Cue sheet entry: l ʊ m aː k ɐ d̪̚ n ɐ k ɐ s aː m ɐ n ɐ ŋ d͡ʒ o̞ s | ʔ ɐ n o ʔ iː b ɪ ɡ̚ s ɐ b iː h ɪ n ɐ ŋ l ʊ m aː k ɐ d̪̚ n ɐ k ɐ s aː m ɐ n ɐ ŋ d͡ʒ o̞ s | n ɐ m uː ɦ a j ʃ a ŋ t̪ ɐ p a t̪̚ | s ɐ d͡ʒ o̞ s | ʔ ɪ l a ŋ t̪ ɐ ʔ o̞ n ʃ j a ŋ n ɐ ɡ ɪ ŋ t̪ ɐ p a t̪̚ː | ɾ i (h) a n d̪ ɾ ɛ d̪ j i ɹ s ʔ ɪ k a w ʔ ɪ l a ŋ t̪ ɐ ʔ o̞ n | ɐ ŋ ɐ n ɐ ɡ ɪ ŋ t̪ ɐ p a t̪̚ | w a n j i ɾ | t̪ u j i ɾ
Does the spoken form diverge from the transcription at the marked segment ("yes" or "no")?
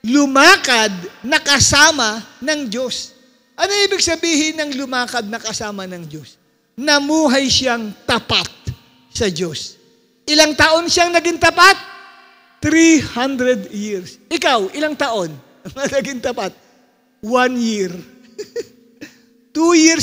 no